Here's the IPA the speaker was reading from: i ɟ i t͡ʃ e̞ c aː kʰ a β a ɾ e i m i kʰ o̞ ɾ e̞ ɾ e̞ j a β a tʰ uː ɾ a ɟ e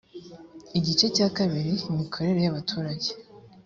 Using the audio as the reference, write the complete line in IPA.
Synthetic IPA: i ɟ i t͡ʃ e̞ c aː k a β i ɾ i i m i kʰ o̞ ɾ e̞ ɾ e̞ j a β a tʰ uː ɾ a ɟ e